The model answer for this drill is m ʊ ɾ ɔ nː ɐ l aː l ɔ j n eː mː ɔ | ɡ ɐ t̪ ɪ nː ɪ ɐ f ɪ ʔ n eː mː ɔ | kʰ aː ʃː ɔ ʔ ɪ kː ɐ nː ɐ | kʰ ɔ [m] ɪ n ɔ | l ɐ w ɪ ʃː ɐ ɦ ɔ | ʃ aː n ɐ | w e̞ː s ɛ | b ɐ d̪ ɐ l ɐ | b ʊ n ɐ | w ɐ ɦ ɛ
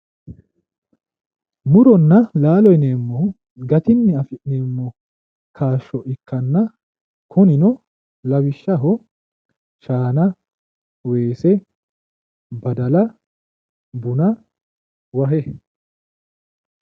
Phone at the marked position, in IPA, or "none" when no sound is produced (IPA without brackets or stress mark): n